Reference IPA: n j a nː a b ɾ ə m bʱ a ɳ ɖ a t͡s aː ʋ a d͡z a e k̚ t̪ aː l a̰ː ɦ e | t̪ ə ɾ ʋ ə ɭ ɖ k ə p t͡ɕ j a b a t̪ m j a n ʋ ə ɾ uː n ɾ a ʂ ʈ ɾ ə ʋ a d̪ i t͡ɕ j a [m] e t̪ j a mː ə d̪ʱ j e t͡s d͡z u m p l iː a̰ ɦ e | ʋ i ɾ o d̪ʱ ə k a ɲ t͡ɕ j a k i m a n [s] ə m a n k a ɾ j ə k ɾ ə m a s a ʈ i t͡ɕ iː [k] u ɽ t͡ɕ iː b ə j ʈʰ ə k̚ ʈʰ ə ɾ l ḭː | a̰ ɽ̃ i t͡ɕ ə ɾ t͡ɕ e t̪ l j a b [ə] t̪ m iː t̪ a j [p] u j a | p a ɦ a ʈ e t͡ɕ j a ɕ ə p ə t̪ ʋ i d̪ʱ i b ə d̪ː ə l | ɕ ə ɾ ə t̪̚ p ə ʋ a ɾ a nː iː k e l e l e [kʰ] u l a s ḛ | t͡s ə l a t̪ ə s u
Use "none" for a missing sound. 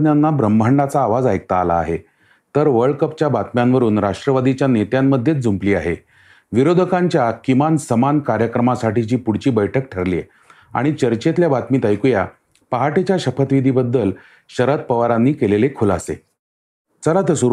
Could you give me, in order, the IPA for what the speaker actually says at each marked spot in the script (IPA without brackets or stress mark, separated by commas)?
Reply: n, s, p, a, k, kʰ